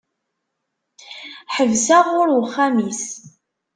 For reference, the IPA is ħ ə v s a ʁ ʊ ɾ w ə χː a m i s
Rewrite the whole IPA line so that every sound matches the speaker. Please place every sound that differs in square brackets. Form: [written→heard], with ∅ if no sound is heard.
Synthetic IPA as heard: ħ ə v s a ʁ ʊ ɾ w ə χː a m i s